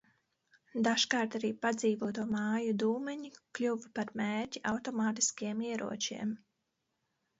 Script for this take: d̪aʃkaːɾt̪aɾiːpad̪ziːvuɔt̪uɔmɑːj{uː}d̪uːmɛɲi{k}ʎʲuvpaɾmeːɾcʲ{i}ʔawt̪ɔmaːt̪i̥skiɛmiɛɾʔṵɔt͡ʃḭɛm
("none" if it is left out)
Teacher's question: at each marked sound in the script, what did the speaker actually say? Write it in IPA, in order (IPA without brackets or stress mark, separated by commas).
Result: u, k, i